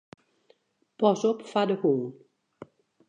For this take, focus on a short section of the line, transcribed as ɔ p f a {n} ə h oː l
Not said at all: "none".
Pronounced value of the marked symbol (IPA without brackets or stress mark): d